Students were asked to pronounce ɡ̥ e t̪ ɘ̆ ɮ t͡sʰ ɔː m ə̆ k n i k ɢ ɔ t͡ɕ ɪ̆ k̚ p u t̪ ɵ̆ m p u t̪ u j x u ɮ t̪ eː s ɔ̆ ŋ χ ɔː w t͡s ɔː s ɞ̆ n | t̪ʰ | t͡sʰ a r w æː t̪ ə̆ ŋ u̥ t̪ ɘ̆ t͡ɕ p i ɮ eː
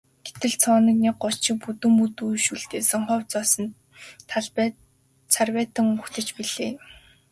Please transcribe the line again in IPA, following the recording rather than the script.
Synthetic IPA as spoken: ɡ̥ e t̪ ɘ̆ ɮ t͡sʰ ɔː n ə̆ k n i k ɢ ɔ t͡ɕ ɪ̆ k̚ p u t̪ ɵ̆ m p u t̪ u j ʃ u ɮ t̪ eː s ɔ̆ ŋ χ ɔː w t͡s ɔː s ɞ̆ n | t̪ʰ | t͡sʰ a r w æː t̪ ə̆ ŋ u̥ t̪ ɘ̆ t͡ɕ p i ɮ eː

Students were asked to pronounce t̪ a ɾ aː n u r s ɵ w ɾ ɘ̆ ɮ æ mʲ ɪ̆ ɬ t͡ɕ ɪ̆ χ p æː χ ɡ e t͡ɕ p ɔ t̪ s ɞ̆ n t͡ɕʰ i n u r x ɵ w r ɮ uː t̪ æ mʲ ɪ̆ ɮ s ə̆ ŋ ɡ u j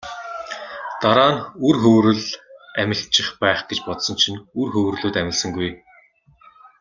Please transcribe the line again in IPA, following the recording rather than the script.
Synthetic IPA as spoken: t̪ a ɾ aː n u r x ɵ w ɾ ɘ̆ ɮ æ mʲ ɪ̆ ɬ t͡ɕ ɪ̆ χ p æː χ ɡ e t͡ɕ p ɔ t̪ s ɞ̆ n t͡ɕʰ i n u r x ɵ w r ɮ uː t̪ æ mʲ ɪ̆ ɮ s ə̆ ŋ ɡ u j

